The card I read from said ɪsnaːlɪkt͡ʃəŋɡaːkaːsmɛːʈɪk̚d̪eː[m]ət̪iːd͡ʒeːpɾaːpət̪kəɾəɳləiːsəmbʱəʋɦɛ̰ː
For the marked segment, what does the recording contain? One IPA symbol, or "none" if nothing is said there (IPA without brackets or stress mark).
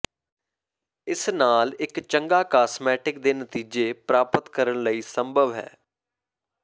n